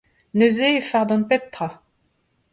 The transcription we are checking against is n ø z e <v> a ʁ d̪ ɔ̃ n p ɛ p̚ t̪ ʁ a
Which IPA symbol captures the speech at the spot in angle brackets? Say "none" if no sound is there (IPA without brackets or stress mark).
f